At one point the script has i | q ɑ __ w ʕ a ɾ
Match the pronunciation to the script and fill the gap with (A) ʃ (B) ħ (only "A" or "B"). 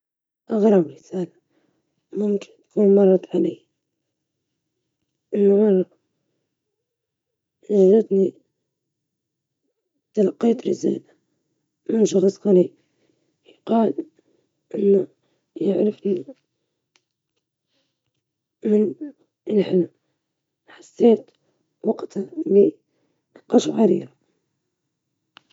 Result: A